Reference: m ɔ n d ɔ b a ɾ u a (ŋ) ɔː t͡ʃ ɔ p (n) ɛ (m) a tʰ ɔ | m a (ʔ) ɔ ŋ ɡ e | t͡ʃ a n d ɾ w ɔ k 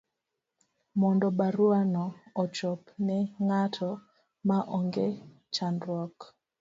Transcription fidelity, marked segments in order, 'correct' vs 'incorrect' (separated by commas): incorrect, correct, incorrect, correct